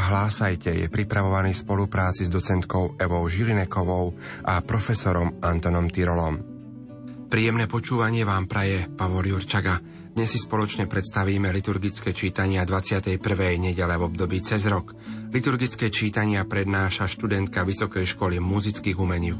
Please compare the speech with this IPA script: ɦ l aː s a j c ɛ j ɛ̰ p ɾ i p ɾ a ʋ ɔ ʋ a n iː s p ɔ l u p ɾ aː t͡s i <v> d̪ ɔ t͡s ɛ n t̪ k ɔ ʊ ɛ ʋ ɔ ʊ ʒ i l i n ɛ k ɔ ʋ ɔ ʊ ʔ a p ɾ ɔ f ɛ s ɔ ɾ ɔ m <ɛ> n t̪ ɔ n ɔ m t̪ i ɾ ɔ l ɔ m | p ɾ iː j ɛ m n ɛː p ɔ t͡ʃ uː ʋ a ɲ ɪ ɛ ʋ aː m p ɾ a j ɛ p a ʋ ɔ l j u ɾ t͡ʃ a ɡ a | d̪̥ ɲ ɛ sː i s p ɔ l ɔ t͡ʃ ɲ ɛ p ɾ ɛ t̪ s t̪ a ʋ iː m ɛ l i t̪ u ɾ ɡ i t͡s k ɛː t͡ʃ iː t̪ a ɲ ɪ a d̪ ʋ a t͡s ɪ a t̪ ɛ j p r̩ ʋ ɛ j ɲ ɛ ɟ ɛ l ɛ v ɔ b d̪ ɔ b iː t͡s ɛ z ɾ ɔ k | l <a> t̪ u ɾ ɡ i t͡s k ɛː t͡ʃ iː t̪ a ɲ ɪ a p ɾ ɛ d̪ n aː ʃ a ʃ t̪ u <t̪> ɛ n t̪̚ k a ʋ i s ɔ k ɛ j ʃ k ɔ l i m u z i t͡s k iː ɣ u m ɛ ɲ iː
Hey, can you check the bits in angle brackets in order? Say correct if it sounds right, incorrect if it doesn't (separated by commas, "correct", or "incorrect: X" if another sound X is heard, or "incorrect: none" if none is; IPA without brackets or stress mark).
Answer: incorrect: z, incorrect: a, incorrect: i, incorrect: d̪